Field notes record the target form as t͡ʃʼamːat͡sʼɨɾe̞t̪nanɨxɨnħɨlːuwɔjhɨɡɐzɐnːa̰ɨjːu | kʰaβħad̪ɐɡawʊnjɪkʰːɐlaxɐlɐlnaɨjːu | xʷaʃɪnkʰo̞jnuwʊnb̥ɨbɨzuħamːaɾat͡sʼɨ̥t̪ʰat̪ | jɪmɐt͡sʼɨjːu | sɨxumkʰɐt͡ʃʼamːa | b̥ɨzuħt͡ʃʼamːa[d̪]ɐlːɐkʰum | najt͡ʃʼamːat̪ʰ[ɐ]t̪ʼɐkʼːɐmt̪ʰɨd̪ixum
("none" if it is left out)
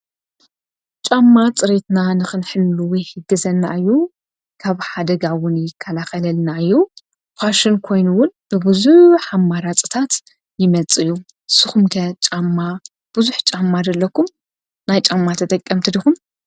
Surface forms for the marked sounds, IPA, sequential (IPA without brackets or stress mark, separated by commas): d̪, ɐ